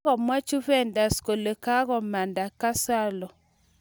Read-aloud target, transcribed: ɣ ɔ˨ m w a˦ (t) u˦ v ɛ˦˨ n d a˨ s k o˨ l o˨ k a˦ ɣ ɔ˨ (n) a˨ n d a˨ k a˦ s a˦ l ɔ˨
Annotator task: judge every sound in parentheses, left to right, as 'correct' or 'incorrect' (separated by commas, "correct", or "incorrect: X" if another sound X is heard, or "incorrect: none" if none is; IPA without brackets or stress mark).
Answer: incorrect: t͡ʃ, incorrect: m